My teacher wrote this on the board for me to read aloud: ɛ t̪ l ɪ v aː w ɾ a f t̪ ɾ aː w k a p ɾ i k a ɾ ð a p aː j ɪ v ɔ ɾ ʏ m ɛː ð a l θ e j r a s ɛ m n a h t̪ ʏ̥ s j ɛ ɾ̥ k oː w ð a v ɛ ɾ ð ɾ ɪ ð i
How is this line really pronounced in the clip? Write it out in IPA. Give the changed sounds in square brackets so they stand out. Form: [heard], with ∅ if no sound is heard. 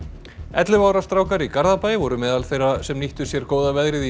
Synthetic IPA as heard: ɛ t̪ l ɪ v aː w ɾ a [s] t̪ ɾ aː w k a [∅] ɾ i k a ɾ ð a p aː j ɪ v ɔ ɾ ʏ m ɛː ð a l θ e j r a s ɛ m n [i] h t̪ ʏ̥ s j ɛ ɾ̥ k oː w ð a v ɛ [∅] ð ɾ ɪ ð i

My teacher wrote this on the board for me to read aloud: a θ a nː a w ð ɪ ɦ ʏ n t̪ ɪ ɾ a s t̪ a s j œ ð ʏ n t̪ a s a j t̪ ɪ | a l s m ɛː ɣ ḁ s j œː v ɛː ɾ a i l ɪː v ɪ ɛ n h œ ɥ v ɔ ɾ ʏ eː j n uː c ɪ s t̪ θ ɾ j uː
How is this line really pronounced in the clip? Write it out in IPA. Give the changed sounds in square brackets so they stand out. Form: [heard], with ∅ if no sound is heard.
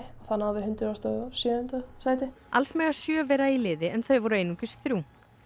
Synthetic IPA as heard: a θ a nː a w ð ɪ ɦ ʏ n t̪ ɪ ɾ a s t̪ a s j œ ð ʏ n t̪ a s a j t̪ ɪ | a l s m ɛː ɣ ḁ s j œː v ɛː ɾ a i l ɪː [ð] ɪ ɛ n [θ] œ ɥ v ɔ ɾ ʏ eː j n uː c ɪ s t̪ θ ɾ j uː

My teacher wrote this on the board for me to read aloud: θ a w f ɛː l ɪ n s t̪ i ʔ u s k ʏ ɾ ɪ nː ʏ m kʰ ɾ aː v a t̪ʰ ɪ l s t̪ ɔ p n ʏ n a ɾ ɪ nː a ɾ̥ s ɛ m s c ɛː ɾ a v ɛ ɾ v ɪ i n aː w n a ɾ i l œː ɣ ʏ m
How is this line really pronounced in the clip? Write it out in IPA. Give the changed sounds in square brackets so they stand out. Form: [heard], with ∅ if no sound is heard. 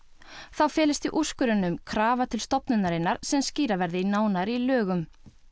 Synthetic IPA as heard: θ a w f ɛː l ɪ [∅] s t̪ i ʔ u s k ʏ ɾ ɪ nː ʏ m kʰ ɾ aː v a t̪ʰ ɪ l s t̪ ɔ p n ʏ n a ɾ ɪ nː a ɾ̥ s ɛ m s c [iː] ɾ a v ɛ ɾ [ð] ɪ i n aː w n a ɾ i l œː ɣ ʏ m

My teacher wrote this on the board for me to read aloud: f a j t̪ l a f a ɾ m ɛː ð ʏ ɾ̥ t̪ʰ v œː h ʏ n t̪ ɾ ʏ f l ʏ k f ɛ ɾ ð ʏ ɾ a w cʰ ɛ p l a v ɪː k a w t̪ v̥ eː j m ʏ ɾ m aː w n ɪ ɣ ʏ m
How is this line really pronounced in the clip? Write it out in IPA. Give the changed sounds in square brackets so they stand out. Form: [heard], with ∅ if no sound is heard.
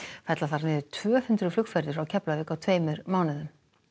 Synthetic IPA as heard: f a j t̪ l a [θ] a ɾ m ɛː ð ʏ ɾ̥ t̪ʰ v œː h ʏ n t̪ ɾ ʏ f l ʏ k f ɛ ɾ ð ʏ ɾ a w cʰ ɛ p l a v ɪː k a w [t̪ʰ] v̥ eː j m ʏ ɾ m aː w n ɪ [ð] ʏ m

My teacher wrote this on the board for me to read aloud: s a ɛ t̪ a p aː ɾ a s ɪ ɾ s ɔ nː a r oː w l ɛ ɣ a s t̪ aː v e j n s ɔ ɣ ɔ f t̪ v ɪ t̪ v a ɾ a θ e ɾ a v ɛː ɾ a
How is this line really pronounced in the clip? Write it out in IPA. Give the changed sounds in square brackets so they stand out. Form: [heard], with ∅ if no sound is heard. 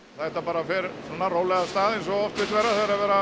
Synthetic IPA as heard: [θ] a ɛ t̪ a p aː ɾ a [f] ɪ ɾ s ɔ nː a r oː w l ɛ ɣ a s t̪ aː [ð] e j n s ɔ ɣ ɔ f t̪ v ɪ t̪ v [ɛ] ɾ a θ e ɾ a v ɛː ɾ a

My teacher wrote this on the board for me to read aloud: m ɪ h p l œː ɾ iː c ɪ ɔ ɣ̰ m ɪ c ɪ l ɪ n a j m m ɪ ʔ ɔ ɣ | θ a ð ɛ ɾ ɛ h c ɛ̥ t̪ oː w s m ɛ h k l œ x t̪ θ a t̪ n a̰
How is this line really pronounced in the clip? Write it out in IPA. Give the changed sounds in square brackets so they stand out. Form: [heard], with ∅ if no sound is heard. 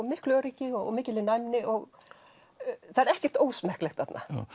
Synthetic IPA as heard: m ɪ h [k] l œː ɾ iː c ɪ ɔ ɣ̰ m [ɪː] c ɪ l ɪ n a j m [n] ɪ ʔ ɔ ɣ | θ a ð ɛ ɾ ɛ h c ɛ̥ t̪ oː w s m ɛ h k l [ɛ] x t̪ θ a t̪ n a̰

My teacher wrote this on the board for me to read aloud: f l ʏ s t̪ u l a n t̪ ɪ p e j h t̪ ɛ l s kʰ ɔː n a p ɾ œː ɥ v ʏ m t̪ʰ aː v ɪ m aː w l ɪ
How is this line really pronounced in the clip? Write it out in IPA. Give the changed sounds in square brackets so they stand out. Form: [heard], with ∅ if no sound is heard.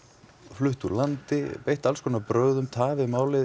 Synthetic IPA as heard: f l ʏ [h] t̪ u l a n t̪ ɪ p e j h t̪ [a] l s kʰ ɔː n a p ɾ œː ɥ [ð] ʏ m t̪ʰ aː v ɪ m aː w l ɪ

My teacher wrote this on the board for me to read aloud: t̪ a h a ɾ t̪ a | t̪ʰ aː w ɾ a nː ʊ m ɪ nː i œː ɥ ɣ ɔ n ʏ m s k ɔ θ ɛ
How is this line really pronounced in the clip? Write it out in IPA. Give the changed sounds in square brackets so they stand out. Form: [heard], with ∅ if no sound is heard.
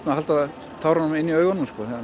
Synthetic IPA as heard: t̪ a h a [l] t̪ a | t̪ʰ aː w ɾ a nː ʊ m ɪ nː i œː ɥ ɣ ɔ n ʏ m s k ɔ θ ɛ

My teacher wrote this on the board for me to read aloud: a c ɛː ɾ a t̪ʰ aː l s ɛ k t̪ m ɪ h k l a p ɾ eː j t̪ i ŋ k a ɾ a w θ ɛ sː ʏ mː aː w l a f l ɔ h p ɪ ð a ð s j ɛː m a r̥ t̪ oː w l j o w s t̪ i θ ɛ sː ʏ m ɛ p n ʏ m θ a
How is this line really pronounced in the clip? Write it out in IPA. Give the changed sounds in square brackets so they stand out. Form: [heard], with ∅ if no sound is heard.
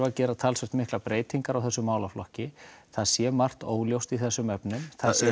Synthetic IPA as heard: a c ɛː ɾ a t̪ʰ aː l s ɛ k t̪ m ɪ h k l a p ɾ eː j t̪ i ŋ k a ɾ a w θ ɛ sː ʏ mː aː w l a f l ɔ h [c] ɪ [θ] a ð s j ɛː m a r̥ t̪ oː w l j o w s t̪ i θ ɛ sː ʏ m ɛ p n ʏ m θ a

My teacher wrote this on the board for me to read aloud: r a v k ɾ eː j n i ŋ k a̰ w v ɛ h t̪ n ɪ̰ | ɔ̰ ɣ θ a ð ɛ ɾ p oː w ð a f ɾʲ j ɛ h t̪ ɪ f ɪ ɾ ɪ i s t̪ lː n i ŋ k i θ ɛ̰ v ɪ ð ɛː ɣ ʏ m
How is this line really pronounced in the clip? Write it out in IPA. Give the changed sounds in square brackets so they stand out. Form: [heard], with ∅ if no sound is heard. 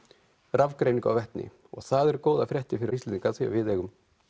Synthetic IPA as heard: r a v k ɾ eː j n i ŋ k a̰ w v ɛ h t̪ n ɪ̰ | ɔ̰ ɣ θ a ð ɛ ɾ [k] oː w ð a f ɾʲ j ɛ h t̪ ɪ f ɪ ɾ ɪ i s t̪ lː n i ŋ k [a] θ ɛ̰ v ɪ ð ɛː ɣ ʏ m

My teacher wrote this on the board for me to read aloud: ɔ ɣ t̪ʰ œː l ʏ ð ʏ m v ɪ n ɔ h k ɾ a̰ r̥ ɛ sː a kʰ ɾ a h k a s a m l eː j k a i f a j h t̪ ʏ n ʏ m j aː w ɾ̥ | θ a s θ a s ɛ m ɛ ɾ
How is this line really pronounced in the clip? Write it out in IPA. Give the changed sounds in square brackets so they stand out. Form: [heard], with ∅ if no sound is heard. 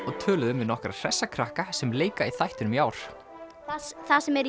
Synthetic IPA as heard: ɔ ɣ t̪ʰ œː l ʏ ð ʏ m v ɪ n ɔ h k ɾ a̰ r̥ ɛ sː a kʰ ɾ a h k a s [ɛ] m l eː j k a i [θ] a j h t̪ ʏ n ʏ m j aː w ɾ̥ | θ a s θ a s ɛ m ɛ ɾ

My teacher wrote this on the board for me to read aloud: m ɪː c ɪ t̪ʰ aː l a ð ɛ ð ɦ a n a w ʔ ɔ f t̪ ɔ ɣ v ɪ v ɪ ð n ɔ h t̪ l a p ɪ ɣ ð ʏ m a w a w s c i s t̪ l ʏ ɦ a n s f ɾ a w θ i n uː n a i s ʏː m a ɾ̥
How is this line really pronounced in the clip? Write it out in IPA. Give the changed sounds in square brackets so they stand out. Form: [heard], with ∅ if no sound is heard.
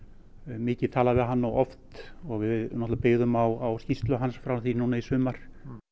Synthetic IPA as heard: m ɪː c ɪ t̪ʰ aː l a [v] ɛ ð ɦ a [nː] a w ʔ ɔ f t̪ ɔ ɣ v ɪ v ɪ ð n ɔ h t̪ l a p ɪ ɣ ð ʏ m a w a w s c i s t̪ l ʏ ɦ a n s f ɾ a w θ i n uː n a i s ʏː m a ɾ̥

